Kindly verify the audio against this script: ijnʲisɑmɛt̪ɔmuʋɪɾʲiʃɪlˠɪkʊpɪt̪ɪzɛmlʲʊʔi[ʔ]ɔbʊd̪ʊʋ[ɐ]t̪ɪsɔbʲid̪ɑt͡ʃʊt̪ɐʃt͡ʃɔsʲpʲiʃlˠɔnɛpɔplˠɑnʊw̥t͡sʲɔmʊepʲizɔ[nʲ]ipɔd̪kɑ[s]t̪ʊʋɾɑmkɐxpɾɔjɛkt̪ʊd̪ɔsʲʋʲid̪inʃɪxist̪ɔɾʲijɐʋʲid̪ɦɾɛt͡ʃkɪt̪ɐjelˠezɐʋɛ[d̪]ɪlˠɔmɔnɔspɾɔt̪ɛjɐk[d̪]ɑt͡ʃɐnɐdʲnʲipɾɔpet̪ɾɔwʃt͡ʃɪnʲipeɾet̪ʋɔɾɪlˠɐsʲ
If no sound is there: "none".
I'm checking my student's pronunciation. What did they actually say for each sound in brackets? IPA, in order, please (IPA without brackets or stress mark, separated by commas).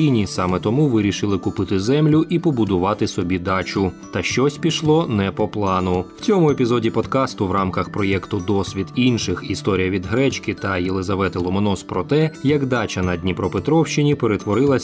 p, ɑ, dʲ, s, t̪, d̪